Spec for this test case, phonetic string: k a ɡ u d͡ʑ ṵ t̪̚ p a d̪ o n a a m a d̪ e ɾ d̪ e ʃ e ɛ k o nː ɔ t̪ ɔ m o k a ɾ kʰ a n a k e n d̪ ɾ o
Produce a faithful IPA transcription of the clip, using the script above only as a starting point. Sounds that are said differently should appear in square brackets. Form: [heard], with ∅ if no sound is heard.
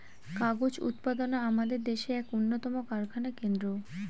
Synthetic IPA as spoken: k a ɡ [o] d͡ʑ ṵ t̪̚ p a d̪ o n a a m a d̪ e ɾ d̪ e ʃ e ɛ k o nː [o] t̪ ɔ m o k a ɾ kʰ a n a k e n d̪ ɾ o